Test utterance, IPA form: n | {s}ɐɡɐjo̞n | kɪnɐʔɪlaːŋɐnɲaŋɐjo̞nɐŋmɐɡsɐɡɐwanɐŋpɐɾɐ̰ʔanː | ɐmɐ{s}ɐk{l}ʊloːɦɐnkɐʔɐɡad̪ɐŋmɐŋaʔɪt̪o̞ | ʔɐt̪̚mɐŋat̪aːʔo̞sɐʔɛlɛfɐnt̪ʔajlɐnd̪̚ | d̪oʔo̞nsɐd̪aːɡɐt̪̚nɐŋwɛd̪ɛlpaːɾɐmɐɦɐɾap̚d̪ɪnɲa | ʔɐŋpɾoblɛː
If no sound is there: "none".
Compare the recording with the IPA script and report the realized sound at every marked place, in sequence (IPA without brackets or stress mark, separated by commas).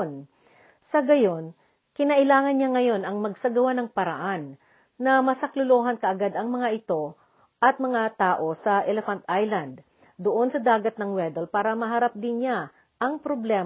s, s, l